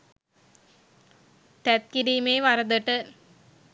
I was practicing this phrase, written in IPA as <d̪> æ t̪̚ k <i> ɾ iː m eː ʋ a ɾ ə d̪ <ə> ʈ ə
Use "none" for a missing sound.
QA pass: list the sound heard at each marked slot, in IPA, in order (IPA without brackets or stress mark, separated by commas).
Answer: t̪, i, ə